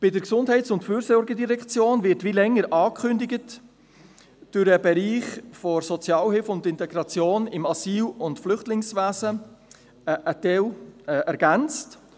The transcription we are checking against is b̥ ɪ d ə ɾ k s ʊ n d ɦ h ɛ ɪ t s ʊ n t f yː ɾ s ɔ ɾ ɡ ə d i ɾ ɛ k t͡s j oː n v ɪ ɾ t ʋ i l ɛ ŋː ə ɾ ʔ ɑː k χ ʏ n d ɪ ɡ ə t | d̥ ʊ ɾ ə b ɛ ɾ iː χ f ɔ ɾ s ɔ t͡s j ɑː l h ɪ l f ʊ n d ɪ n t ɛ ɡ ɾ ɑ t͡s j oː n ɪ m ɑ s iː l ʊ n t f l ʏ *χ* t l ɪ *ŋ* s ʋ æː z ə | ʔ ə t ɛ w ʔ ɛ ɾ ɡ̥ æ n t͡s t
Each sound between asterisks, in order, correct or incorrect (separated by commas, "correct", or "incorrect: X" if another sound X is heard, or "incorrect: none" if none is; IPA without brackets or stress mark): correct, correct